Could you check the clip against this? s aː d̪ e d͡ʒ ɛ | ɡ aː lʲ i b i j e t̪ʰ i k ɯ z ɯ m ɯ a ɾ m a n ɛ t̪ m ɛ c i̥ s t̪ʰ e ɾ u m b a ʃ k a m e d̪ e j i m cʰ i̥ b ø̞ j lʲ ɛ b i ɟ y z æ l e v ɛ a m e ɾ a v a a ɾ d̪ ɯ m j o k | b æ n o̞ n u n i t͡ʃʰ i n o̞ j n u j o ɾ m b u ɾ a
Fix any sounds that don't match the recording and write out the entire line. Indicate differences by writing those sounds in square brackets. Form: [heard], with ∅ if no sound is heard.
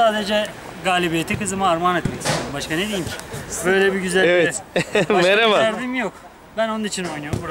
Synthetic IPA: s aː d̪ e d͡ʒ ɛ | ɡ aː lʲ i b i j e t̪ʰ i k ɯ z ɯ m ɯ a ɾ m a n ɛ t̪ m ɛ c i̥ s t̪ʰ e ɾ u m b a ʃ k a [n] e d̪ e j i m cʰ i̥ b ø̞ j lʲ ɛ b i ɟ y z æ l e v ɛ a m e ɾ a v a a ɾ d̪ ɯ m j o k | b æ n o̞ n u n i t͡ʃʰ i n o̞ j n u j o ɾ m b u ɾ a